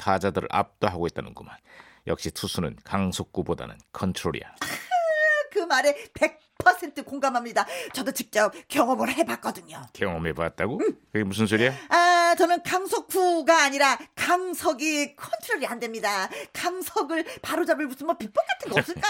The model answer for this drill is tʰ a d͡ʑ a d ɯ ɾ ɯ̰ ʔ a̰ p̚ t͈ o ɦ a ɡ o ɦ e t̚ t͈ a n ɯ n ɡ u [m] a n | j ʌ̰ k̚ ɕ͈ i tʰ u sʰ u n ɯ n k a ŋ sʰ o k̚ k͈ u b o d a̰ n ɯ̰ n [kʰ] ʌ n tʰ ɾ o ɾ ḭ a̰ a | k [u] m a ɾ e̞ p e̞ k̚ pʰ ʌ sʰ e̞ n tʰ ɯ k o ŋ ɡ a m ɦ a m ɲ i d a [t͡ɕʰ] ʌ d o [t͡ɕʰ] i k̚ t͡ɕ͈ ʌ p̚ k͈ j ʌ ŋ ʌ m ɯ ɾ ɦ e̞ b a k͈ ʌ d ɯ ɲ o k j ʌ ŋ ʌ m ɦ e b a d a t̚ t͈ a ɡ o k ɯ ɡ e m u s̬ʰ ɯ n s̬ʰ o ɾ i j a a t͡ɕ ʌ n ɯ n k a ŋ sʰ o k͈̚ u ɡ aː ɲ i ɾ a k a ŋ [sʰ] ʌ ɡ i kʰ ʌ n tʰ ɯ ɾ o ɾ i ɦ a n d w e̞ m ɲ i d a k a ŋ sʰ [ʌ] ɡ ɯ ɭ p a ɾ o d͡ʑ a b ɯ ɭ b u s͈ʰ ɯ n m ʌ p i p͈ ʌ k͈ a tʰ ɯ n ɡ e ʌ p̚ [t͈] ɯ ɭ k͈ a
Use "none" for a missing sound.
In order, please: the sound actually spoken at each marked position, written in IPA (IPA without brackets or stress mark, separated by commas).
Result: m, kʰ, ɯ, t͡ɕ, t͡ɕ, sʰ, ʌ, s͈